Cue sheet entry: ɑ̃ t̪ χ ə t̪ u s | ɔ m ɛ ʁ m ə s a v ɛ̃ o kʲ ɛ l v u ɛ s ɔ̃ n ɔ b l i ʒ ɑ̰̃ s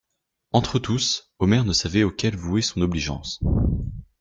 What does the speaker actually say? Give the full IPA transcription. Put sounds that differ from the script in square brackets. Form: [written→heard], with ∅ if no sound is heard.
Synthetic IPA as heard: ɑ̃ t̪ χ ə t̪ u s | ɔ m ɛ ʁ [m→n] ə s a v [ɛ̃→ɛ] o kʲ ɛ l v u ɛ s ɔ̃ n ɔ b l i ʒ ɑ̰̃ s